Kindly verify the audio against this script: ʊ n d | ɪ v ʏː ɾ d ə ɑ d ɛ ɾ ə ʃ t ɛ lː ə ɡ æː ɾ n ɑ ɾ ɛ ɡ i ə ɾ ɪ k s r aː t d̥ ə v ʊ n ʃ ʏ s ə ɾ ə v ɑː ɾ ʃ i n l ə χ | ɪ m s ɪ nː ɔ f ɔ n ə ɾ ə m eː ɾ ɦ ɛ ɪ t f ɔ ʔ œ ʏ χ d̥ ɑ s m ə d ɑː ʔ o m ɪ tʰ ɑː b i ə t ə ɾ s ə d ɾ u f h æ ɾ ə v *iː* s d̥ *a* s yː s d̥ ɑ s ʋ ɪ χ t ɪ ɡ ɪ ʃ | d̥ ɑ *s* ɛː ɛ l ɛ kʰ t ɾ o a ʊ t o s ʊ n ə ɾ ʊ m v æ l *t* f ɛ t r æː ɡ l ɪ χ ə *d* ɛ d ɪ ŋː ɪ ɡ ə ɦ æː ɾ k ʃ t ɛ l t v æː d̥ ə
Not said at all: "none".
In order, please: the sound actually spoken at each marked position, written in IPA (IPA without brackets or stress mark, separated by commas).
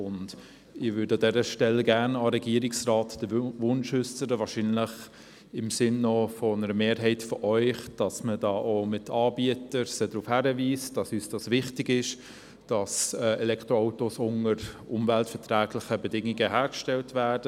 iː, ɑ, s, t, b